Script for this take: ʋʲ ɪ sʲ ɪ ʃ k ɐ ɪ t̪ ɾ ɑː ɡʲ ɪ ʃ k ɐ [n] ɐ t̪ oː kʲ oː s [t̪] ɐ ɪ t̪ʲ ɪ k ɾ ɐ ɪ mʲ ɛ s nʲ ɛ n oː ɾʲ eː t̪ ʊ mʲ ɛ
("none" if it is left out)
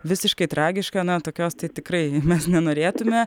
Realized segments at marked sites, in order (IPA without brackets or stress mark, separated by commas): n, t̪